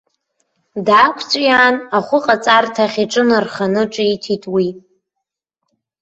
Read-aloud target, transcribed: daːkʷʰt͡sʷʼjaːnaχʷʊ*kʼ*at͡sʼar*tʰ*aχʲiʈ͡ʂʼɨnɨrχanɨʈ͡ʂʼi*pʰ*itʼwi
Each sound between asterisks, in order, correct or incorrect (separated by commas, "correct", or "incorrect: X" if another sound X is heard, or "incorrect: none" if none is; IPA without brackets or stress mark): incorrect: qʼ, correct, incorrect: tʰ